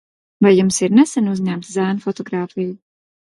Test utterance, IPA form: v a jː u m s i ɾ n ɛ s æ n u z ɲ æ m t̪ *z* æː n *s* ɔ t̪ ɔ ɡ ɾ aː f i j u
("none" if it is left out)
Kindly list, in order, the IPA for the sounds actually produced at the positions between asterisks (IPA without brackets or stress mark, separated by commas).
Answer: z, f